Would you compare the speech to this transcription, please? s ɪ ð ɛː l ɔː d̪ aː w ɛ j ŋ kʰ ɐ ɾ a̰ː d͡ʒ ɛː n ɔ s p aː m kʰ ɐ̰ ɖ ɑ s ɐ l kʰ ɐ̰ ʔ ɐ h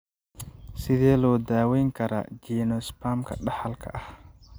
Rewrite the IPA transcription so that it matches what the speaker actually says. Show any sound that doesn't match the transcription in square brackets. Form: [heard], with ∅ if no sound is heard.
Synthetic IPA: s ɪ ð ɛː l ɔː d̪ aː w ɛ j ŋ kʰ ɐ ɾ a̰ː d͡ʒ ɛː n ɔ s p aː m kʰ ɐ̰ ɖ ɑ [ħ] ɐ l kʰ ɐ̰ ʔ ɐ h

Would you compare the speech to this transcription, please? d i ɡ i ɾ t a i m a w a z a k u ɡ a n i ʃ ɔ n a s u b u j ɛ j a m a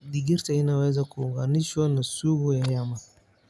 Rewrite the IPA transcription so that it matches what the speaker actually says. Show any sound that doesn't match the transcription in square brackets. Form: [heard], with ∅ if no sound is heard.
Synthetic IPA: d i ɡ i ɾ t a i [n] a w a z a k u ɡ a n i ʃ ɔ n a s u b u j [a] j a m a

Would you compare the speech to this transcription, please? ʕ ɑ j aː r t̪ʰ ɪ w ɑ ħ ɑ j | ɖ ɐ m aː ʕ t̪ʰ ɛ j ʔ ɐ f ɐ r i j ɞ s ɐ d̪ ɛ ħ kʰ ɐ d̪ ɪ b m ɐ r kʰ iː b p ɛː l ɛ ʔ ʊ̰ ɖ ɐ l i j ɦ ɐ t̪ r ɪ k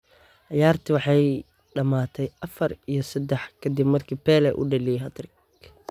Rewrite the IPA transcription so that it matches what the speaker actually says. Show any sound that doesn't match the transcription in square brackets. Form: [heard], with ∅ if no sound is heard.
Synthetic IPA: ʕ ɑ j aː r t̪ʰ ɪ w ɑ ħ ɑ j | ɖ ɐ m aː [∅] t̪ʰ ɛ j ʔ ɐ f ɐ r i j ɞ s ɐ d̪ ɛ ħ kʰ ɐ d̪ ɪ b m ɐ r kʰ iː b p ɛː l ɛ ʔ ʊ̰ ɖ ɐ l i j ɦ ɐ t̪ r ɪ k

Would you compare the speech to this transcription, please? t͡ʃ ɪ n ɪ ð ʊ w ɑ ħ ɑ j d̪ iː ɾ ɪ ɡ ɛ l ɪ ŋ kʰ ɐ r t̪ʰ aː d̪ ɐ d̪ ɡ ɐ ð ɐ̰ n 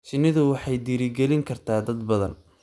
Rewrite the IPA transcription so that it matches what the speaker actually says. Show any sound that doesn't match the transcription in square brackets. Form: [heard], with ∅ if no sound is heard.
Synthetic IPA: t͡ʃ ɪ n ɪ ð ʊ w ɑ ħ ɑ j d̪ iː ɾ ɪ ɡ ɛ l ɪ ŋ kʰ ɐ r t̪ʰ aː d̪ ɐ d̪ [b] ɐ ð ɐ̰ n

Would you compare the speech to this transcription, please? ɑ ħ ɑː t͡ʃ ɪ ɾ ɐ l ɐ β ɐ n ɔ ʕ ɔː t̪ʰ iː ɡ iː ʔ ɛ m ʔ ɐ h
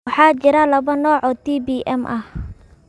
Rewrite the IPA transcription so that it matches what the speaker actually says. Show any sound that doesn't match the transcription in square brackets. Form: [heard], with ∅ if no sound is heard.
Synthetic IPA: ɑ ħ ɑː t͡ʃ ɪ ɾ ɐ l ɐ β ɐ n [ɔː] ʕ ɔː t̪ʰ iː [b] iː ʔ ɛ m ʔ ɐ h

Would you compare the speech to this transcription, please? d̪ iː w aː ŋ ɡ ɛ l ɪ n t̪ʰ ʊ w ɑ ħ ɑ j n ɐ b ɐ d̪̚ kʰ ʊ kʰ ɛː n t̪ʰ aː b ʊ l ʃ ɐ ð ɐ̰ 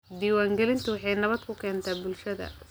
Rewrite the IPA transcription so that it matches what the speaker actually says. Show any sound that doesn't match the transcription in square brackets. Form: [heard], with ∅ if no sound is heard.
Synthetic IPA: d̪ iː w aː ŋ ɡ ɛ l ɪ n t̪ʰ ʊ w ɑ ħ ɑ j n ɐ [β] ɐ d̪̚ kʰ ʊ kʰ ɛː n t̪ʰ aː b ʊ l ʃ ɐ ð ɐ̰

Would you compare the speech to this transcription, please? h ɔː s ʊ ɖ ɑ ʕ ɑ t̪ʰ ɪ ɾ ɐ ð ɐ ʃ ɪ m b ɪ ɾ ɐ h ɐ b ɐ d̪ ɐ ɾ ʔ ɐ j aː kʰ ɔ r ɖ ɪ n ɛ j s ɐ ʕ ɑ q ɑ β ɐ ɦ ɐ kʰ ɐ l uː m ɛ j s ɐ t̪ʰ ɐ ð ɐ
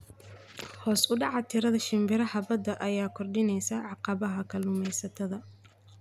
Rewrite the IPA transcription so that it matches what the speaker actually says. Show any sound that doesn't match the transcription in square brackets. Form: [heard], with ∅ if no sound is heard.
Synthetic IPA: h ɔː s ʊ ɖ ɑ ʕ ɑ t̪ʰ ɪ ɾ ɐ ð ɐ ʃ ɪ m b ɪ ɾ ɐ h ɐ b ɐ d̪ ɐ [∅] ʔ ɐ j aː kʰ ɔ r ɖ ɪ n ɛ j s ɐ ʕ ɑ q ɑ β ɐ ɦ ɐ kʰ ɐ l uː m ɛ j s ɐ t̪ʰ ɐ ð ɐ

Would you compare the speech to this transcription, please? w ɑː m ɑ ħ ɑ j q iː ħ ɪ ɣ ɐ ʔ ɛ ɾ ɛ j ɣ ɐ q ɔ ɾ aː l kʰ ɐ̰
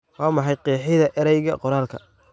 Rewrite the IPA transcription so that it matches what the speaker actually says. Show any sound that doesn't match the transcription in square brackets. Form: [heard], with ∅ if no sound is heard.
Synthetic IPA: w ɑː m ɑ ħ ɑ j q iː ħ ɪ [ð] ɐ ʔ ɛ ɾ ɛ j ɣ ɐ q ɔ ɾ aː l kʰ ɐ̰

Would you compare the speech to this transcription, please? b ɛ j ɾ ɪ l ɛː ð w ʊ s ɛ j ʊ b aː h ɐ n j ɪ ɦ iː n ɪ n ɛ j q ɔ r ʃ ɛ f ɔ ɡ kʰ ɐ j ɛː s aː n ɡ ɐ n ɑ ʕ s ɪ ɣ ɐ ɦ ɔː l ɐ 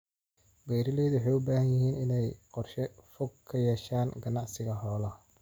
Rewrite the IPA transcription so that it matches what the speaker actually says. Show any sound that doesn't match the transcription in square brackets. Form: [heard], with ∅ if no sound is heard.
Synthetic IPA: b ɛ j ɾ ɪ l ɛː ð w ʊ [ħ] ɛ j ʊ b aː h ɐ n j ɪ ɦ iː n ɪ n ɛ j q ɔ r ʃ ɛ f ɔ ɡ kʰ ɐ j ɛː [ʃ] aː n ɡ ɐ n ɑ ʕ s ɪ ɣ ɐ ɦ ɔː l ɐ

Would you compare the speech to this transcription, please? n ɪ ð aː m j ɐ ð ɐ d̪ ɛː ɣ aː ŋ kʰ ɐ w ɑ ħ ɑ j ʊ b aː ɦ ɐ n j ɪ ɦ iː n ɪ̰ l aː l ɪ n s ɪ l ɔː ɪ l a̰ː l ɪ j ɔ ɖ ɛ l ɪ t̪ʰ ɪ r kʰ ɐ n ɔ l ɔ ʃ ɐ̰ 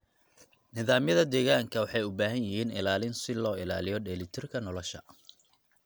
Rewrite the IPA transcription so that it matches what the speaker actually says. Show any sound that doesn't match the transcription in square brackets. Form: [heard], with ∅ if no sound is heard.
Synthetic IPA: n ɪ ð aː m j ɐ ð ɐ d̪ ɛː ɣ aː ŋ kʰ ɐ w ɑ ħ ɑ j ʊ b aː ɦ ɐ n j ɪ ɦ iː n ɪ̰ l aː l ɪ n s ɪ l ɔː ɪ l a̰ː l ɪ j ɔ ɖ ɛ l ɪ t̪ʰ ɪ r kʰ ɐ n ɔ l ɔ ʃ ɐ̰

